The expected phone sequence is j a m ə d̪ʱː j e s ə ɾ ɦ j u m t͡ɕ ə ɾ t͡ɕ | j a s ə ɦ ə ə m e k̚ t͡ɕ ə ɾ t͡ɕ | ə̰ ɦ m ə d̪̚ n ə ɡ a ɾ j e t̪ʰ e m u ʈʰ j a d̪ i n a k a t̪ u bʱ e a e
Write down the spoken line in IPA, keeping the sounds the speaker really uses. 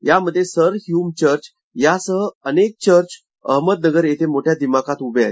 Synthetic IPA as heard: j a m ə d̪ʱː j e s ə ɾ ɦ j u m t͡ɕ ə ɾ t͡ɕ | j a s ə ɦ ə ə n e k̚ t͡ɕ ə ɾ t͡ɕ | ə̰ ɦ m ə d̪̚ n ə ɡ ə ɾ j e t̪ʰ e m o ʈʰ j a d̪ i m a k a t̪ u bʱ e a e